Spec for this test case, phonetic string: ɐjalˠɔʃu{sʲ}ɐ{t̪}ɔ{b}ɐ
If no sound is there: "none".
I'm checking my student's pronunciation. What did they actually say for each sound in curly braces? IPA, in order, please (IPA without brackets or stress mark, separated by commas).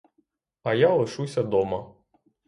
sʲ, d̪, m